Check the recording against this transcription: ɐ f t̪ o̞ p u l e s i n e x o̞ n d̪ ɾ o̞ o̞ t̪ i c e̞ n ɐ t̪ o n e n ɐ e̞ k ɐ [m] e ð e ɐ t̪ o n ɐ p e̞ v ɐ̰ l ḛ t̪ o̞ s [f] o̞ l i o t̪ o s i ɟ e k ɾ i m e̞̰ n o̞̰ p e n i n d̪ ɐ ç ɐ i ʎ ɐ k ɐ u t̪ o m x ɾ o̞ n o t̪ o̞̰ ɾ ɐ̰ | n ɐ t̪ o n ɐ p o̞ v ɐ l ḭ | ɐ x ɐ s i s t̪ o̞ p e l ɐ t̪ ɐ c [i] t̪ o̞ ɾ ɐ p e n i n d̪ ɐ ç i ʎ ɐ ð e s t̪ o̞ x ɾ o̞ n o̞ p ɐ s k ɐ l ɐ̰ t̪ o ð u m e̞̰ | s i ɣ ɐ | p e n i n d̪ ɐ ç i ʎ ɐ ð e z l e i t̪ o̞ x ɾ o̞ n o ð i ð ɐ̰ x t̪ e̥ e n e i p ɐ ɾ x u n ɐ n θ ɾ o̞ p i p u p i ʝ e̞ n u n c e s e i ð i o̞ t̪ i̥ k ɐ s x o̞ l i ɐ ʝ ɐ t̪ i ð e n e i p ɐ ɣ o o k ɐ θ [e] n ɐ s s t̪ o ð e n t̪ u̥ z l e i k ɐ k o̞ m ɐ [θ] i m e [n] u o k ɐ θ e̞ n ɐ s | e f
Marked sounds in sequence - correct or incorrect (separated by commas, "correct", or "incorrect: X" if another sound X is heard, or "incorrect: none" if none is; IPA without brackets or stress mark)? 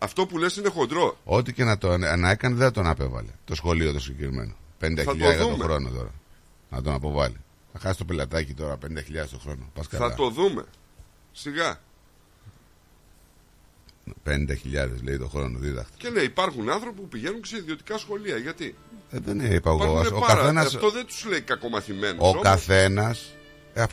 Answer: incorrect: n, incorrect: x, correct, correct, correct, correct